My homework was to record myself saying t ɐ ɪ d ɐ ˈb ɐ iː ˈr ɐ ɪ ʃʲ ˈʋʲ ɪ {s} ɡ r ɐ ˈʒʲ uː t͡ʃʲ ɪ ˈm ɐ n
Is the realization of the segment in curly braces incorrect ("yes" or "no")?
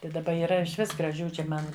no